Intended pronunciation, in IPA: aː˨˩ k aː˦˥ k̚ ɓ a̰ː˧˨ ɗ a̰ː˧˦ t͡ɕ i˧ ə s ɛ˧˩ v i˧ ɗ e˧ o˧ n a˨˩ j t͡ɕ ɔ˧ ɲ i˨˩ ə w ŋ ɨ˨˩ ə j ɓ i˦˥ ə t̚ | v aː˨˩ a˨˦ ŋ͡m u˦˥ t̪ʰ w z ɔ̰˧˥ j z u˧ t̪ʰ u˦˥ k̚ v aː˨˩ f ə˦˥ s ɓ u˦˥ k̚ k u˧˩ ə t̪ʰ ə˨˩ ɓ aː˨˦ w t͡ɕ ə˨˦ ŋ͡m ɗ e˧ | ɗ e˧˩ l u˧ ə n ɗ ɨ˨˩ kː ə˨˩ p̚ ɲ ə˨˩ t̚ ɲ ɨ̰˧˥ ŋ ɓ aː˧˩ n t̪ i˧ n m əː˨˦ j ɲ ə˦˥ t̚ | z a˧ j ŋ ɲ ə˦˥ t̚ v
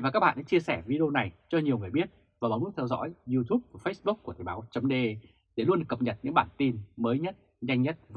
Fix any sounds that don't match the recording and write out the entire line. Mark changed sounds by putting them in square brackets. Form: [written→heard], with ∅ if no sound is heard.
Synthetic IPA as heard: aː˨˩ k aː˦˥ k̚ ɓ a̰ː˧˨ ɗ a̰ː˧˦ t͡ɕ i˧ ə s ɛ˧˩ v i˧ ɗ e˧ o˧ n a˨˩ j t͡ɕ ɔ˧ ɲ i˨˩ ə w ŋ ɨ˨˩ ə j ɓ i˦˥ ə t̚ | v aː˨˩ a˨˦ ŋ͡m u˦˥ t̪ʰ w z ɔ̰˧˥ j z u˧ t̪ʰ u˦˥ [k̚→p̚] v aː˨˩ f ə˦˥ s ɓ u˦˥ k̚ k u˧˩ ə t̪ʰ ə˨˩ ɓ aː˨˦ w t͡ɕ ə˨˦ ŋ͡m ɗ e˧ | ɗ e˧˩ l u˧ ə n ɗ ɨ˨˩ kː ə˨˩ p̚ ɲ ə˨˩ t̚ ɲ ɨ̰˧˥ ŋ ɓ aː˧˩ n t̪ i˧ n m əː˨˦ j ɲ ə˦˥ t̚ | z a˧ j ŋ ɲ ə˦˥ t̚ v